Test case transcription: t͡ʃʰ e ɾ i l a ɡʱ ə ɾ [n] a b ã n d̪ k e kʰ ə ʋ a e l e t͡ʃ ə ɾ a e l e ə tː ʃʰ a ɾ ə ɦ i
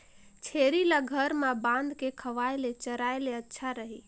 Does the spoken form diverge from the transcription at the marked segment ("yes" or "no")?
yes